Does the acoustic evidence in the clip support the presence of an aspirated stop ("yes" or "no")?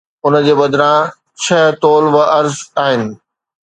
yes